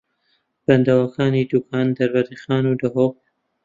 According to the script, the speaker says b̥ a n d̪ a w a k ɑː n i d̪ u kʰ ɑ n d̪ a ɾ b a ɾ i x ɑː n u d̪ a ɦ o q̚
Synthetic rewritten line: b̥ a n d̪ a w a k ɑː n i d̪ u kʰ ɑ n d̪ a ɾ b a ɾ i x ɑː n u d̪ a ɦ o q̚